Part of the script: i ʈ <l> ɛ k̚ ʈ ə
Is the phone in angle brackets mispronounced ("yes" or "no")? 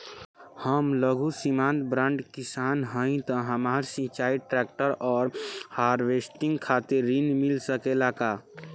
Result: yes